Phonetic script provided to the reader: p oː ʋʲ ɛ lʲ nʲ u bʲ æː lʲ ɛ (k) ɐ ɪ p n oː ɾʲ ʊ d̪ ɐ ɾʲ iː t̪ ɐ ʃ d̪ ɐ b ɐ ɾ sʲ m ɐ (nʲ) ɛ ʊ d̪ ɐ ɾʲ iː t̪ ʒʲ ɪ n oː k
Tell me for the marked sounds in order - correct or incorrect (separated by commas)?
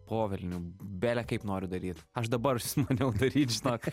correct, correct